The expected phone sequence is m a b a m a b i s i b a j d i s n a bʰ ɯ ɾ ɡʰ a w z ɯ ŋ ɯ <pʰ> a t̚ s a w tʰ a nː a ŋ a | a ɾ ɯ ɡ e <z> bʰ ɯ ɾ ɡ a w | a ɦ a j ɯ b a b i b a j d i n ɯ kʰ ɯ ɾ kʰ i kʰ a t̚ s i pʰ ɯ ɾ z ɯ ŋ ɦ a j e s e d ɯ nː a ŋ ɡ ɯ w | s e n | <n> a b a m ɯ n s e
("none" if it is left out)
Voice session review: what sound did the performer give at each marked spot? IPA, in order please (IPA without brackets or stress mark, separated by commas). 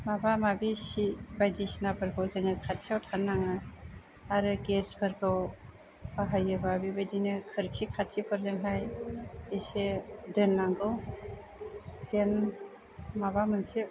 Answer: kʰ, s, m